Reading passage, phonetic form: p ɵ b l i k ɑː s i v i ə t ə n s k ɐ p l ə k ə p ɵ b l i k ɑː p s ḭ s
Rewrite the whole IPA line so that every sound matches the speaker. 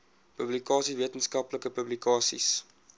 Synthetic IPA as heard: p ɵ b l i k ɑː s i v i ə t ə n s k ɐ p l ə k ə p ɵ b l i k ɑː s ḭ s